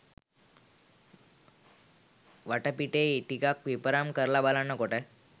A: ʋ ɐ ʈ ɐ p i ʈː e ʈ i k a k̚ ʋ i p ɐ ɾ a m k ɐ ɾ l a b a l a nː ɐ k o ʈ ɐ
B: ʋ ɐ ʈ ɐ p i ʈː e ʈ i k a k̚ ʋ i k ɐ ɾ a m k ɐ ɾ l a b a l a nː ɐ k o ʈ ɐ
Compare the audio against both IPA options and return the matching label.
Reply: A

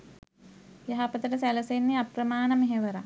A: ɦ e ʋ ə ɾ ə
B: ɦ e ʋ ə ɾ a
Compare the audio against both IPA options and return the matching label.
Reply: B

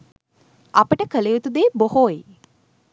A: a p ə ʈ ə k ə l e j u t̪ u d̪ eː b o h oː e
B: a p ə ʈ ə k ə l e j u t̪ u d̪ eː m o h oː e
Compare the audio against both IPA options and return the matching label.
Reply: A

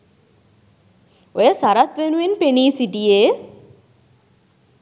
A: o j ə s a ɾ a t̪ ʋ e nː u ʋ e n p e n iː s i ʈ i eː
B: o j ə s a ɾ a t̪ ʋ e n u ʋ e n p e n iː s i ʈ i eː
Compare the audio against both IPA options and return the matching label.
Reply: B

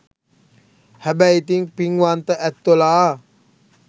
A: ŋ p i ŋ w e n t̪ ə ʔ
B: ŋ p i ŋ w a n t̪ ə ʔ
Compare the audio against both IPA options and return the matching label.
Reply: B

